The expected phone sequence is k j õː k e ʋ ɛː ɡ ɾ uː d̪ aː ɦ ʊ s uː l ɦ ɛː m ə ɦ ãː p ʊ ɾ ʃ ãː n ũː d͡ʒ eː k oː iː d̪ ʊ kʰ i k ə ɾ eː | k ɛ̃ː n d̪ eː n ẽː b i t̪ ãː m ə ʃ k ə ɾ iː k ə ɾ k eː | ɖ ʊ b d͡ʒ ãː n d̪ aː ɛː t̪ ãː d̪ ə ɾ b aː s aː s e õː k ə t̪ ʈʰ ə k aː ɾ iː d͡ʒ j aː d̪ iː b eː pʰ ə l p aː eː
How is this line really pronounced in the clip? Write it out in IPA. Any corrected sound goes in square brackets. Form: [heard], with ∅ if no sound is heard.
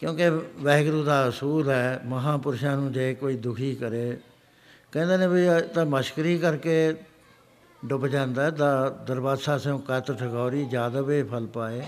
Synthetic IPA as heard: k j õː k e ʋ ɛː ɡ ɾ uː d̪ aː ɦ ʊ s uː l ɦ ɛː m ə ɦ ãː p ʊ ɾ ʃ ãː n ũː d͡ʒ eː k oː iː d̪ ʊ kʰ [iː] k ə ɾ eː | k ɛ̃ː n d̪ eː n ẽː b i t̪ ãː m ə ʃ k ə ɾ iː k ə ɾ k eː | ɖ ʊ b d͡ʒ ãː n d̪ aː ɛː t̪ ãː d̪ ə ɾ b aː s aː s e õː k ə t̪ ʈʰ ə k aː ɾ iː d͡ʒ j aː d̪ [aː] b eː pʰ ə l p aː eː